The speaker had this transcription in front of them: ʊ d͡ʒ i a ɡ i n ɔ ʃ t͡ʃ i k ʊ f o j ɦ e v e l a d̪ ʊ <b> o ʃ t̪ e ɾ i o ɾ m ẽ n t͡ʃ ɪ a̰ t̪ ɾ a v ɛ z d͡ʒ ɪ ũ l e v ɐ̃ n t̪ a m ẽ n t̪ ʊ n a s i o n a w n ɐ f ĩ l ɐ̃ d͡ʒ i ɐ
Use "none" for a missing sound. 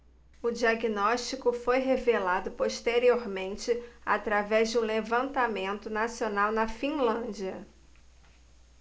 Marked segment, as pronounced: p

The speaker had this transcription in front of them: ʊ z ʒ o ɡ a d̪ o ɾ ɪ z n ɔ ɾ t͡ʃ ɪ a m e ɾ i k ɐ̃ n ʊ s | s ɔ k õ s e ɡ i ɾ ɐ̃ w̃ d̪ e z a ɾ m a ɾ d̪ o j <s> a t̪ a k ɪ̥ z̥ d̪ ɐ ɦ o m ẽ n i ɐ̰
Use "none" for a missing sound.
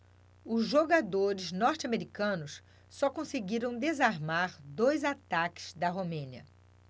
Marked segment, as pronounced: z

